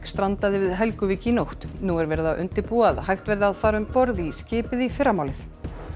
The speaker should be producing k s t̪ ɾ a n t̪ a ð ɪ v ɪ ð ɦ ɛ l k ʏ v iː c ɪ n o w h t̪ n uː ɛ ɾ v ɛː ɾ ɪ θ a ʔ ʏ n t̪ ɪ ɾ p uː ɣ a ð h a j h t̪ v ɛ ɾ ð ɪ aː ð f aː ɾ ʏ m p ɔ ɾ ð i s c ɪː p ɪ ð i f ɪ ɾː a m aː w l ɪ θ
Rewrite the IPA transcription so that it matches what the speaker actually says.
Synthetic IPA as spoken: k s t̪ ɾ a n t̪ a ð ɪ v ɪ ð ɦ ɛ l k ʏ v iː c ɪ n o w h t̪ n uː ɛ ɾ v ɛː ɾ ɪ ð a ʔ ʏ n t̪ ɪ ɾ p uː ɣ a ð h a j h t̪ v ɛ ɾ ð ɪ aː ð f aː ɾ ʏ m p ɔ ɾ ð i s c ɪː p ɪ ð i f ɪ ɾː a m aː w l ɪ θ